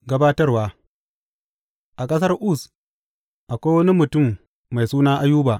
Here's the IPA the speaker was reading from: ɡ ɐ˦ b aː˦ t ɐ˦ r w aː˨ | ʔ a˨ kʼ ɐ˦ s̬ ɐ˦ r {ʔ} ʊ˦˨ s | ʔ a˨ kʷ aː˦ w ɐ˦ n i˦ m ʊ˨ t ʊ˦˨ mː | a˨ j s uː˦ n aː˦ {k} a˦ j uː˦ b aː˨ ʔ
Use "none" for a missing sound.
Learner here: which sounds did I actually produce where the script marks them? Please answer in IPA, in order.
ʔ, ʔ

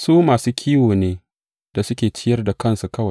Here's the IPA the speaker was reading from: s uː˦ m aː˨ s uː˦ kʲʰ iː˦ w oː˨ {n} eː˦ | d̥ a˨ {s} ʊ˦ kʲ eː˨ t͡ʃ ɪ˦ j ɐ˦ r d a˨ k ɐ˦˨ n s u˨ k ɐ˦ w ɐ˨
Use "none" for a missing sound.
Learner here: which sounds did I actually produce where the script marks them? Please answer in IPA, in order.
n, s

